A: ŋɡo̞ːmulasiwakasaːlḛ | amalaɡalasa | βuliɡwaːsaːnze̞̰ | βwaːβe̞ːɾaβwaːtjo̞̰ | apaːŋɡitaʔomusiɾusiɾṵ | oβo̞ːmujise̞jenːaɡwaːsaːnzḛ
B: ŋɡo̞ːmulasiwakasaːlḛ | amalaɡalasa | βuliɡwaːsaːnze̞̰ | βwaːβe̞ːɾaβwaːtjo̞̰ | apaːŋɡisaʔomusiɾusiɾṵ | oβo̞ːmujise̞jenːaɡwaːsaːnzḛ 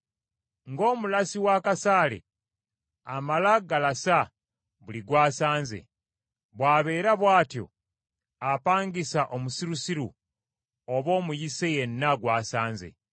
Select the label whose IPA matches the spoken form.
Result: B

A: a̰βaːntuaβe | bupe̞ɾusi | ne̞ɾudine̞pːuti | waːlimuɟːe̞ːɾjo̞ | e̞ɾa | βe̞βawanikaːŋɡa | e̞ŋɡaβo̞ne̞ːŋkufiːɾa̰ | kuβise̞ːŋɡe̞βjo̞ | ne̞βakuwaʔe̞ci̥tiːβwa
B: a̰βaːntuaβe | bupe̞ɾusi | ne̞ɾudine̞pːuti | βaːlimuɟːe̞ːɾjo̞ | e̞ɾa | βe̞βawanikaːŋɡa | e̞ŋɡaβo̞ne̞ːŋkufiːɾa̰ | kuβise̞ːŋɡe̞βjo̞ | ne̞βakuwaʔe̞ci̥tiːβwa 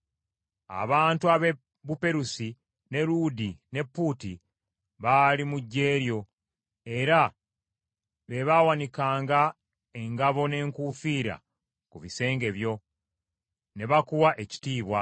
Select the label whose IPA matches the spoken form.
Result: B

